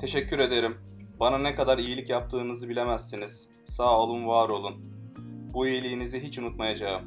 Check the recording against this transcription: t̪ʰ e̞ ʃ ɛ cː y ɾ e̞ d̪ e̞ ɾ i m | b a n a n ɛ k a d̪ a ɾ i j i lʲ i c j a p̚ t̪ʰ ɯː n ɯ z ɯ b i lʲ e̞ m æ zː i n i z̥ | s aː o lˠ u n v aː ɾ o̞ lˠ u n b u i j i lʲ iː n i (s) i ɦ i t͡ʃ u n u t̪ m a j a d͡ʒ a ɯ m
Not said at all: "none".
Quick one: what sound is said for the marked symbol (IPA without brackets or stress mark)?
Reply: z